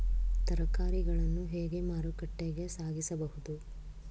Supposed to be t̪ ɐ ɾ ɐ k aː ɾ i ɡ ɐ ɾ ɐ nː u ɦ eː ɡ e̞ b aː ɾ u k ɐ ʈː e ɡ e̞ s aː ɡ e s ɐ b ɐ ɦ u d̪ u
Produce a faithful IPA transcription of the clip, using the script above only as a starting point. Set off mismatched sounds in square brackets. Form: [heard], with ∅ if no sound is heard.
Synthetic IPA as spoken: t̪ ɐ ɾ ɐ k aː ɾ i ɡ ɐ [ɭ] ɐ nː u ɦ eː ɡ e̞ [m] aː ɾ u k ɐ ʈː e ɡ e̞ s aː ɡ [i] s ɐ b ɐ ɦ u d̪ u